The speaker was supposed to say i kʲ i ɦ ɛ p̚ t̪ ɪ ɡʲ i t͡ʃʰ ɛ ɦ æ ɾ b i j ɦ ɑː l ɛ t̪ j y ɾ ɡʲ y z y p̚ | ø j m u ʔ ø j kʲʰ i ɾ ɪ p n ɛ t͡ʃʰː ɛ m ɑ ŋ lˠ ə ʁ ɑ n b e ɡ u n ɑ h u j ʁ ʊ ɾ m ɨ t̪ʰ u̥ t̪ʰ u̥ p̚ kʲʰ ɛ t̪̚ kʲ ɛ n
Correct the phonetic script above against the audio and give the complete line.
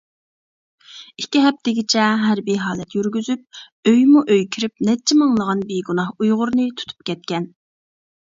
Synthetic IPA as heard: i kʲ i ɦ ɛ p̚ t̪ ɪ ɡʲ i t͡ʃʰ ɛ ɦ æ ɾ b i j ɦ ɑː l ɛ t̪ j y ɾ ɡʲ y z y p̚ | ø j m u ʔ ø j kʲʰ i ɾ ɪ p n ɛ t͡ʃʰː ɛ m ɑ ŋ lˠ ə ʁ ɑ n b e ɡ u n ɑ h u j ʁ ʊ ɾ n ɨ t̪ʰ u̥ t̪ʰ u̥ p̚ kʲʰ ɛ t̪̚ kʲ ɛ n